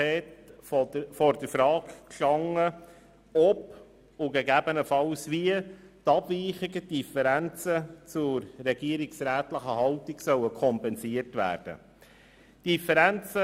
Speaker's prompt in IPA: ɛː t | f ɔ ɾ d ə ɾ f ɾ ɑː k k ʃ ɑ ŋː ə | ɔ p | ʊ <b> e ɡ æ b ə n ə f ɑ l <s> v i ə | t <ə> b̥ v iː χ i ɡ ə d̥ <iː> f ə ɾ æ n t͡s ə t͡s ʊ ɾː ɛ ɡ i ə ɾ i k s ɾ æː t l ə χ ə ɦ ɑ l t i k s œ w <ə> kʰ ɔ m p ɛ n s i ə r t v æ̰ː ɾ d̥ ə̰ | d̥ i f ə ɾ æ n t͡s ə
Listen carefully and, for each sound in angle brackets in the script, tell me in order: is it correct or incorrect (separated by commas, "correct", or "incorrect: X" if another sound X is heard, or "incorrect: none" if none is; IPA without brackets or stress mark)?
incorrect: ɡ, correct, incorrect: ɑ, incorrect: i, correct